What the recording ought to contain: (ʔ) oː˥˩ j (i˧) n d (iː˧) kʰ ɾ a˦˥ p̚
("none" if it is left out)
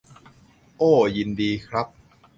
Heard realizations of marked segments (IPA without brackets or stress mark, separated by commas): ʔ, i˧, iː˧